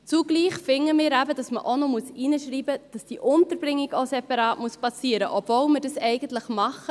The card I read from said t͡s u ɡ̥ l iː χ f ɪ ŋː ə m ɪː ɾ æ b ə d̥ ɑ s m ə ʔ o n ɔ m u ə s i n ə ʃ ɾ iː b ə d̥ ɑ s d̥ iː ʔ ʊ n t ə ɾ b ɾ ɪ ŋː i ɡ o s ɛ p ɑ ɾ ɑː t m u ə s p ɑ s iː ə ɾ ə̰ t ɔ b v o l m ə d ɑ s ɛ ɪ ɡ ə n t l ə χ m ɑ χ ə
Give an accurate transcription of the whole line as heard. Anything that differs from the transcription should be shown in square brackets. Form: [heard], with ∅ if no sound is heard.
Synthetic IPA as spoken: t͡s u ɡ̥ l iː χ f ɪ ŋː ə m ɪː ɾ æ b ə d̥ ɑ s m ə ʔ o n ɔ m u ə s i n ə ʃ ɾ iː b ə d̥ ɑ s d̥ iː ʔ ʊ n t ə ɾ b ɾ ɪ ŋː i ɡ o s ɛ p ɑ ɾ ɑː t m u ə s p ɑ s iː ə ɾ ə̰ [ʔ] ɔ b v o l m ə d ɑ s ɛ ɪ ɡ ə n t l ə χ m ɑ χ ə